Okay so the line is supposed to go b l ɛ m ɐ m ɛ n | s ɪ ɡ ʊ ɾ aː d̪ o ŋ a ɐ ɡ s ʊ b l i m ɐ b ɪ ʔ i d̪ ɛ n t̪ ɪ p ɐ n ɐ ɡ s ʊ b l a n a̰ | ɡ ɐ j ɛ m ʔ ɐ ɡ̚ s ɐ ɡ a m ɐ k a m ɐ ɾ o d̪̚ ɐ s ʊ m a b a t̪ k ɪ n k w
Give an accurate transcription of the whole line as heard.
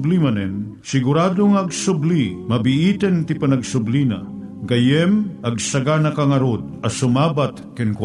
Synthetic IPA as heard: b l i m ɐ n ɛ n | s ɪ ɡ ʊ ɾ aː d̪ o ŋ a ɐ ɡ s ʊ b l i m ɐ b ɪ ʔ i t̪ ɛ n t̪ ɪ p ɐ n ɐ ɡ s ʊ b l i n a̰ | ɡ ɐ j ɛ m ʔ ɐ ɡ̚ s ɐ ɡ a n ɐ k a ŋ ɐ ɾ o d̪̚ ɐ s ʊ m a b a t̪ k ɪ n k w